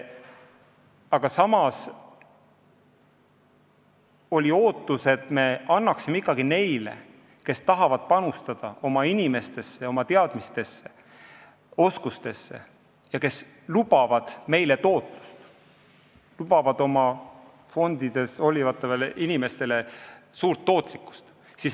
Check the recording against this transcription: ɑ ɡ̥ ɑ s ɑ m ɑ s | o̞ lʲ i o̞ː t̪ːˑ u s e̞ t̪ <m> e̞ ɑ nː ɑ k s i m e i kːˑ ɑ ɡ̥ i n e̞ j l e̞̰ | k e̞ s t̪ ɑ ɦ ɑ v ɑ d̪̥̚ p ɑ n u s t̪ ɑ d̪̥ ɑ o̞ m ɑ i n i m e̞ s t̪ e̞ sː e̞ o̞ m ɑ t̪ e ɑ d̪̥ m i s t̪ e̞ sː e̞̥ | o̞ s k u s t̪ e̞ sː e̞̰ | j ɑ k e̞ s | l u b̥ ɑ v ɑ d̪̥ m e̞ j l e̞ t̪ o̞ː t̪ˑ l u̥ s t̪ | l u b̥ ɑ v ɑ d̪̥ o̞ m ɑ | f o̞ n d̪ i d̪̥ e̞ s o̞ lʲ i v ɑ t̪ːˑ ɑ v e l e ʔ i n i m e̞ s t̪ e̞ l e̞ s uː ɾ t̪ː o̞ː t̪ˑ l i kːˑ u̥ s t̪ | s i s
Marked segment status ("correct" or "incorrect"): correct